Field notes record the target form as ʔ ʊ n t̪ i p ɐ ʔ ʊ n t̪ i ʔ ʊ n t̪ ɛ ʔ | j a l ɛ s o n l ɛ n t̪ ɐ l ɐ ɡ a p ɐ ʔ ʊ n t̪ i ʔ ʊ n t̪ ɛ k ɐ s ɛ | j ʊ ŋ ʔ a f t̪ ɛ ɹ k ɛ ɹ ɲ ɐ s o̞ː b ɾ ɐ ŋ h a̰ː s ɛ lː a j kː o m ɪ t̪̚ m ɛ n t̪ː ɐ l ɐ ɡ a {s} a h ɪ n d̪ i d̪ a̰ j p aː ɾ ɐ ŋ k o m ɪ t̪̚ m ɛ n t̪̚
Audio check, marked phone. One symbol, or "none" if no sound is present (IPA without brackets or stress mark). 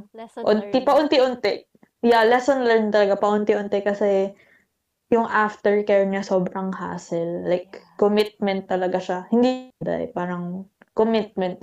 ʃ